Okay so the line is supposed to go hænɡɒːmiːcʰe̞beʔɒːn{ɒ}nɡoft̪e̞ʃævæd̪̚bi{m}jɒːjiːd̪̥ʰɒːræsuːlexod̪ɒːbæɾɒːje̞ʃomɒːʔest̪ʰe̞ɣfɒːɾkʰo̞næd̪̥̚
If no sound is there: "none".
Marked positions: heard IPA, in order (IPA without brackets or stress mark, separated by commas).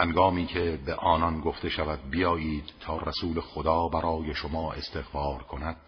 ɒ, none